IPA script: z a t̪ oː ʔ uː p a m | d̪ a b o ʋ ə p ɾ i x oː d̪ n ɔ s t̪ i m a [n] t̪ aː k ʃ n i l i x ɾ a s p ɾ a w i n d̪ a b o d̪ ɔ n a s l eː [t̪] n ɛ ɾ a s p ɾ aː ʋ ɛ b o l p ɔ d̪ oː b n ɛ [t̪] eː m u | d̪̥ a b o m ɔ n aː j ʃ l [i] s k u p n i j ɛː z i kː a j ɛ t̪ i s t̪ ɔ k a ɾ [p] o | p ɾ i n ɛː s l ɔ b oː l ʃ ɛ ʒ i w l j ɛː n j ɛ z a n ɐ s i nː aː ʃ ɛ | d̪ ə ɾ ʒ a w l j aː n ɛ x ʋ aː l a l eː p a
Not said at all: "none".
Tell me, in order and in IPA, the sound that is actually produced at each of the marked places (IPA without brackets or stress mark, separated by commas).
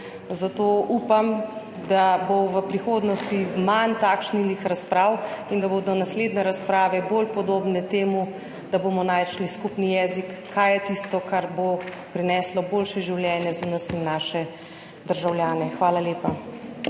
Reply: n, d̪, t̪, i, b